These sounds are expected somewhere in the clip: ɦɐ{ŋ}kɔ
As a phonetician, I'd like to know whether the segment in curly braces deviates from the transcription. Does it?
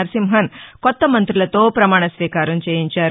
yes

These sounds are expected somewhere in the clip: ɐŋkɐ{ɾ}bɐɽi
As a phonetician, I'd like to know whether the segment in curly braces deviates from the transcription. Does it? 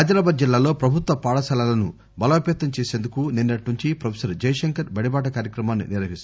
no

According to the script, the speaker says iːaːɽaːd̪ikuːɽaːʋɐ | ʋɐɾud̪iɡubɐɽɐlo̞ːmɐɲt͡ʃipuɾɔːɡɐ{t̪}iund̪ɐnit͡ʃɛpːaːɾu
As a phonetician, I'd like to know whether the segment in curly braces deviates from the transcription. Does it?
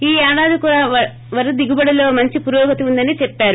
no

